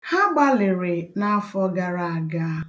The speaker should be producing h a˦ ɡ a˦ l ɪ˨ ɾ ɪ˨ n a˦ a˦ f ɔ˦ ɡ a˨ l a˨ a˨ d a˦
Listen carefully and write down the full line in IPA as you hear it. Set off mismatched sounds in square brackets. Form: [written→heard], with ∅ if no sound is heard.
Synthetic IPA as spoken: h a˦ [ɡ→ɡ͡b] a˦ l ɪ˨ ɾ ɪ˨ n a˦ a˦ f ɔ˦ ɡ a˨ [l→ɾ] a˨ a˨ [d→ɡ] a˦